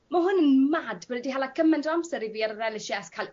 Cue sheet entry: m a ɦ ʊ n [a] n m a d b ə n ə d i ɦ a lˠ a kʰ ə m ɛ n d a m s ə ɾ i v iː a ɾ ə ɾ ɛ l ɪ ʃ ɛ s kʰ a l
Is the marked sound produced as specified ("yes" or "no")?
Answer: no